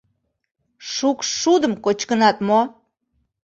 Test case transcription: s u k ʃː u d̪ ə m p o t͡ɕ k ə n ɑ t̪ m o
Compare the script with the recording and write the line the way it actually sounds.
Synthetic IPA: ʃ u k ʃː u d̪ ə m k o t͡ɕ k ə n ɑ t̪ m o